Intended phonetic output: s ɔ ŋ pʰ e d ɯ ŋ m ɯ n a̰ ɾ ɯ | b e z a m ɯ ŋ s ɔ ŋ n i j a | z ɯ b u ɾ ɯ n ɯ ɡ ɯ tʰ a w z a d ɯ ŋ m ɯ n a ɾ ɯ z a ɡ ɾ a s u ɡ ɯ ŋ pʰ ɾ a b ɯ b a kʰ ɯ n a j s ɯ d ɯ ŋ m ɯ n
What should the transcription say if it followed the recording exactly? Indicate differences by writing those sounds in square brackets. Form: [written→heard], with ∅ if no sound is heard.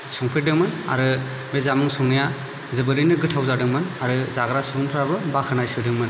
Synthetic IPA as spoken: s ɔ ŋ pʰ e d ɯ ŋ m ɯ n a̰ ɾ ɯ | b e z a m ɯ ŋ s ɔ ŋ n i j a | z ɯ b [u→ɯ] ɾ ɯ n ɯ ɡ ɯ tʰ a w z a d ɯ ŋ m ɯ n a ɾ ɯ z a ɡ ɾ a s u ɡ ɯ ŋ pʰ ɾ a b ɯ b a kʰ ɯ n a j s ɯ d ɯ ŋ m ɯ n